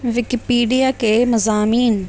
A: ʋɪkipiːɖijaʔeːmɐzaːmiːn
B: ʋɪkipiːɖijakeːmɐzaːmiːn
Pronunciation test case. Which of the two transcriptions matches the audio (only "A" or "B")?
B